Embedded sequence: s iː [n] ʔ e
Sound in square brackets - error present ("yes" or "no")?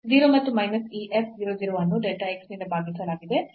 yes